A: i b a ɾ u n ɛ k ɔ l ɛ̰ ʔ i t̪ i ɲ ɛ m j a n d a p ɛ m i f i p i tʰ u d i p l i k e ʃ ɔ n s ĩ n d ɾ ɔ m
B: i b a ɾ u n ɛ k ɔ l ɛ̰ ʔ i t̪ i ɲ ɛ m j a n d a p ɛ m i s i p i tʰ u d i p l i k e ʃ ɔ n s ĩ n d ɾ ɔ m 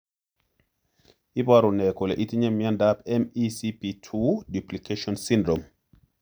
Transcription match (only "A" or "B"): B